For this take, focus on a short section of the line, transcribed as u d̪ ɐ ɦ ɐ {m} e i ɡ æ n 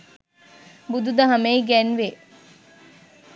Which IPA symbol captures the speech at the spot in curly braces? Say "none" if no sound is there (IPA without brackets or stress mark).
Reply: m